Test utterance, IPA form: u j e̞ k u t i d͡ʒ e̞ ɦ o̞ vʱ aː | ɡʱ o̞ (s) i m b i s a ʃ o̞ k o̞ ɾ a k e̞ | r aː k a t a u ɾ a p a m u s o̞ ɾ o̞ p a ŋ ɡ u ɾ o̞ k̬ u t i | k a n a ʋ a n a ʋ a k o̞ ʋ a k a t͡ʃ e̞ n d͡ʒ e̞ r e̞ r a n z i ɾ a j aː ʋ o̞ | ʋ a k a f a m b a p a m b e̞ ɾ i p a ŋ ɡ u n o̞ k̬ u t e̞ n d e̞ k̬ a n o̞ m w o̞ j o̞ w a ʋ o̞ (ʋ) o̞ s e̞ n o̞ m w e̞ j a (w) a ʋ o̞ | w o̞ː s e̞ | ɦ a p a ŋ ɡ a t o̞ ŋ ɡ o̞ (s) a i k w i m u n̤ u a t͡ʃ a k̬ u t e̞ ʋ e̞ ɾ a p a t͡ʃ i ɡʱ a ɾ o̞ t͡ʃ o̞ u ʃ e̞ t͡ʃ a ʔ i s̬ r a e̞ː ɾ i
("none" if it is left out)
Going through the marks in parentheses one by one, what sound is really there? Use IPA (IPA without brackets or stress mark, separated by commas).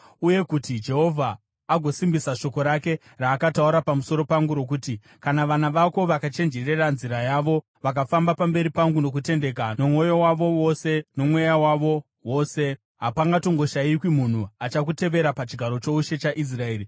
s, w, w, ʃ